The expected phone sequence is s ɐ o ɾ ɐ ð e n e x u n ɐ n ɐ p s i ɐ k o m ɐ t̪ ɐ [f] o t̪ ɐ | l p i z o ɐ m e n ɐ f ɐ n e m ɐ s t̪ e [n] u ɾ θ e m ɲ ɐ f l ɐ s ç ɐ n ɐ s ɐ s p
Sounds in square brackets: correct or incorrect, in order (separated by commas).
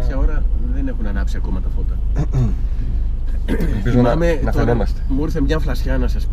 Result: correct, incorrect